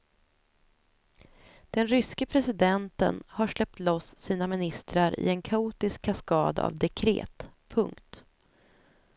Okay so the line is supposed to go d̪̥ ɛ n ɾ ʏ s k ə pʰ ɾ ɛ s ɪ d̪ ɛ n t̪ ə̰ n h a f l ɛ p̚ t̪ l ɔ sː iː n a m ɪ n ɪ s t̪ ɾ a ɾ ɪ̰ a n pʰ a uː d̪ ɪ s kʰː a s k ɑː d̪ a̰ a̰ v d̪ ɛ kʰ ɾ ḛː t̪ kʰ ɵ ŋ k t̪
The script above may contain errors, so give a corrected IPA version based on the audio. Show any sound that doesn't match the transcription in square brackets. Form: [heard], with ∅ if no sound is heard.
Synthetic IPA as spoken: d̪̥ ɛ n ɾ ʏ s k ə pʰ ɾ ɛ s ɪ d̪ ɛ n t̪ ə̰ n h a [ʂ] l ɛ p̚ t̪ l ɔ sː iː n a m ɪ n ɪ s t̪ ɾ a ɾ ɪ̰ [ɛ] n [kʰ] a uː [t̪] ɪ s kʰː a s k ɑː d̪ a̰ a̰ v d̪ ɛ kʰ ɾ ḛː t̪ [pʰ] ɵ ŋ k t̪